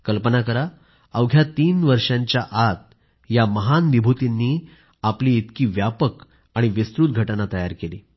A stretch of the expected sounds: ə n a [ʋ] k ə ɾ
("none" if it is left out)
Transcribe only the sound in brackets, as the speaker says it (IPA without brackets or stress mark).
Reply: none